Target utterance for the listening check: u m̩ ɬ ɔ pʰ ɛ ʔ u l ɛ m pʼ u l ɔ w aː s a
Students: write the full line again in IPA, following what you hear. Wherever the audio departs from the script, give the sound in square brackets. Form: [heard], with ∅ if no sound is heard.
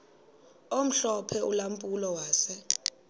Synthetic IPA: [o] m̩ ɬ ɔ pʰ ɛ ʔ u l [a] m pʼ u l ɔ w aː s [ɛ]